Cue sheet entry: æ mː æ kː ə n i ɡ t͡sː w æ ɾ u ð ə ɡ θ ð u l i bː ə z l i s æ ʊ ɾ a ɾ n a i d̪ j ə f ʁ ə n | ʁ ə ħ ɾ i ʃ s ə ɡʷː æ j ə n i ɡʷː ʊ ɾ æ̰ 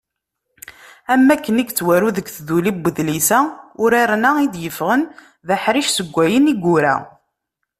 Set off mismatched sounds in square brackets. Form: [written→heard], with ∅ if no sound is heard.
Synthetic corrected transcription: æ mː æ kː ə n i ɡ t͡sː w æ ɾ u ð ə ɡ θ ð u l i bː ə [z→ð] l i s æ ʊ ɾ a ɾ n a i d̪ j ə f ʁ ə n | [ʁ→ð] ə ħ ɾ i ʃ s ə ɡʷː æ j ə n i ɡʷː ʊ ɾ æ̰